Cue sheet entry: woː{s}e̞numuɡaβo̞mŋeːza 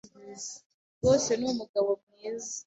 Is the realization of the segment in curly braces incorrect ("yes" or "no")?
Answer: no